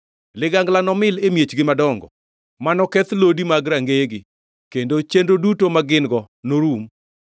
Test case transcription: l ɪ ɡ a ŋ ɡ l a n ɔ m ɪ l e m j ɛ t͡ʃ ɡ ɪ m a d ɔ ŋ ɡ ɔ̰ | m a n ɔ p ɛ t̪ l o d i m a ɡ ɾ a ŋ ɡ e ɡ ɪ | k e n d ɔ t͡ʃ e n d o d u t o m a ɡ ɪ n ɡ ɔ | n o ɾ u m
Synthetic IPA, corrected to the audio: l ɪ ɡ a ŋ ɡ l a n ɔ m ɪ l e m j e t͡ʃ ɡ ɪ m a d ɔ ŋ ɡ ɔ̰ | m a n ɔ k ɛ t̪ l o d i m a ɡ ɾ a ŋ ɡ e ɡ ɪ | k e n d o t͡ʃ e n d o d u t o m a ɡ ɪ n ɡ ɔ | n o ɾ u m